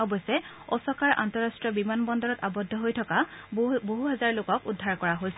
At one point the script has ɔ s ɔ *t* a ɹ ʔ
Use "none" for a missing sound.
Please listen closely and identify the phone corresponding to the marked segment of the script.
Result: k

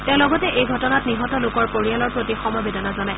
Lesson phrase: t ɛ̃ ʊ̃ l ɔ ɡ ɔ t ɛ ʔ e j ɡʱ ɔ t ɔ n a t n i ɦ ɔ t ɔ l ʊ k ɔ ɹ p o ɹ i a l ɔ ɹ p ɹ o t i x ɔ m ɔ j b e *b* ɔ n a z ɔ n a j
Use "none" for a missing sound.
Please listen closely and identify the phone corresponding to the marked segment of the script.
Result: d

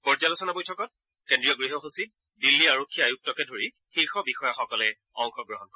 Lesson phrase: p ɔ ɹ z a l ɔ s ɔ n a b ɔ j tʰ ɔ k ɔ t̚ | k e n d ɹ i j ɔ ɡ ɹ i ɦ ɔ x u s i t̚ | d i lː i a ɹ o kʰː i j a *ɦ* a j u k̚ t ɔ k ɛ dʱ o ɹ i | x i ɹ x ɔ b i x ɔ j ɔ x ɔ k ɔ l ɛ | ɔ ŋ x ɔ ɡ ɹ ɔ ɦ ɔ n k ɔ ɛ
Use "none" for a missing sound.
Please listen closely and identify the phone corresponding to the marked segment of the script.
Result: none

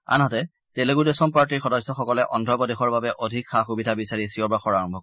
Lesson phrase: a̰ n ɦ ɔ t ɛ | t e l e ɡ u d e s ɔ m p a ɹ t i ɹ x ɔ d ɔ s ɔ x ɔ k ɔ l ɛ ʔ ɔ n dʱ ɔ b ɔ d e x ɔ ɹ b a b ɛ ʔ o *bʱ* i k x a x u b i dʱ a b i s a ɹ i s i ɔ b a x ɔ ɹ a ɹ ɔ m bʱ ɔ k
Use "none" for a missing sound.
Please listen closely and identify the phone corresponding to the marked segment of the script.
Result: dʱ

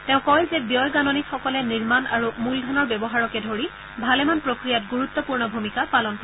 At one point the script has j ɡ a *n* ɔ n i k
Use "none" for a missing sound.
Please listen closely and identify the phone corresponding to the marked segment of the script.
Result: n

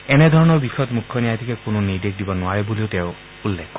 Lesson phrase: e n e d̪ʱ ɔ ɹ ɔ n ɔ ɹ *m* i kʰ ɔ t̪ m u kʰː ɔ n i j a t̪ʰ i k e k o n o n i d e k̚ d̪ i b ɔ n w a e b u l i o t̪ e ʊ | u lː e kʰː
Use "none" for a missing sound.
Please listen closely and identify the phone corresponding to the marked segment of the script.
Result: b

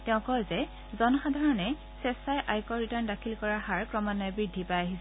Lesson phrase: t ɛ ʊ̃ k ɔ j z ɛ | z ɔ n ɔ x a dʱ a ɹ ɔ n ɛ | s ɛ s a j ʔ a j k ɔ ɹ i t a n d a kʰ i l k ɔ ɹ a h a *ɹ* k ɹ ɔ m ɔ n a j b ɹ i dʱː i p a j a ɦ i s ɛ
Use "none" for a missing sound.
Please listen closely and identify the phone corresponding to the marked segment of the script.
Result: ɹ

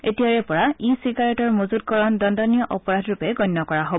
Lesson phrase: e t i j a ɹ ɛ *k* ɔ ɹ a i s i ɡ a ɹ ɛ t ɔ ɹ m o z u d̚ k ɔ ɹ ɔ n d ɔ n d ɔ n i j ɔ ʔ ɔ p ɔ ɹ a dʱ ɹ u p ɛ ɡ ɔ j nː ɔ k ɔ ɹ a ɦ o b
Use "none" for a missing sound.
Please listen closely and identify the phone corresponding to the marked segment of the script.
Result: p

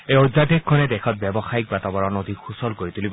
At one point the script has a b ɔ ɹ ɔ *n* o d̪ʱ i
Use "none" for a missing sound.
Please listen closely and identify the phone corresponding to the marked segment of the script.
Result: n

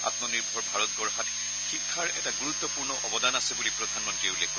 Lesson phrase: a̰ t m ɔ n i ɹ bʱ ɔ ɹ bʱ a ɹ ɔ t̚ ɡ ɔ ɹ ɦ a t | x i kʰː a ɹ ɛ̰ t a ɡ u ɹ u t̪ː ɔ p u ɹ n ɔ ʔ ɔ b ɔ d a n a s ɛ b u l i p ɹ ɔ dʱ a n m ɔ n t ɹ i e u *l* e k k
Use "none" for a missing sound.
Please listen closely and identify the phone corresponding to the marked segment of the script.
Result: l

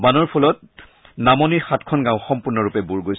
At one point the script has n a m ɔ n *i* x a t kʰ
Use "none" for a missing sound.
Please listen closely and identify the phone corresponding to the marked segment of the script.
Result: i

